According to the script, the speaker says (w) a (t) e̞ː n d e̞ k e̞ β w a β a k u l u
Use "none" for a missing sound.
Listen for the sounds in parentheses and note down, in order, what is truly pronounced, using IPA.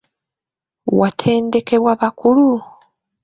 w, tʰ

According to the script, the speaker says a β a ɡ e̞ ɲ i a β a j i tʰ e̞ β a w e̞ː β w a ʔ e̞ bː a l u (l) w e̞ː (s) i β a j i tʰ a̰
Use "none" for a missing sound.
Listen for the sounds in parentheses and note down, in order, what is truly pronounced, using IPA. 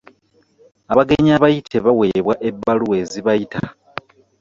none, z

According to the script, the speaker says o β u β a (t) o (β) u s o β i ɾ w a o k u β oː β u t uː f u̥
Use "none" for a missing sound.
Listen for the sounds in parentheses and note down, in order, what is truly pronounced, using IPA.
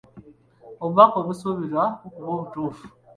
k, β

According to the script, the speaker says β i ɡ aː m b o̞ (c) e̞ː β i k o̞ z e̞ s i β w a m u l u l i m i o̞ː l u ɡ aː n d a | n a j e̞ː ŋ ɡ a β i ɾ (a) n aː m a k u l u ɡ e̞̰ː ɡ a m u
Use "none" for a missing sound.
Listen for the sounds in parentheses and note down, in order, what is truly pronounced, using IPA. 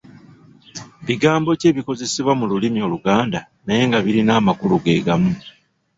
c, i

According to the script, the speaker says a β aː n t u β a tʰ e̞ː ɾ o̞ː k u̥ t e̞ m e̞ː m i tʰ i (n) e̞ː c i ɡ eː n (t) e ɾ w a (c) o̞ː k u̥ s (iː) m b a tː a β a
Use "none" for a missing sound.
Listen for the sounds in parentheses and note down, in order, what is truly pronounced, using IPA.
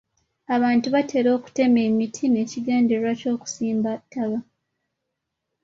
n, d, c, iː

